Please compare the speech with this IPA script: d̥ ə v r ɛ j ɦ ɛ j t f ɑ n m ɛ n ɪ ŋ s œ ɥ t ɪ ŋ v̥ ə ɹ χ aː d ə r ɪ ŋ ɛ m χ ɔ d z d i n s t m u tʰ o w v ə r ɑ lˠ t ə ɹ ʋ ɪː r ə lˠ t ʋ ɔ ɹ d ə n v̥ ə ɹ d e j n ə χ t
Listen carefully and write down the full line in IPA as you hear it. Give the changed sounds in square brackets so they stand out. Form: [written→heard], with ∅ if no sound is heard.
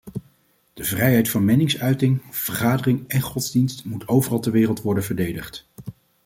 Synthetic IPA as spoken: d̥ ə v r ɛ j ɦ ɛ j t f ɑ n m ɛ n ɪ ŋ s œ ɥ t ɪ ŋ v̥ ə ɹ χ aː d ə r ɪ ŋ ɛ [m→n] χ ɔ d z d i n s t m u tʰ o w v ə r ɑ lˠ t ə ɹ ʋ ɪː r ə lˠ t ʋ ɔ ɹ d ə n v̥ ə ɹ d e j [n→d] ə χ t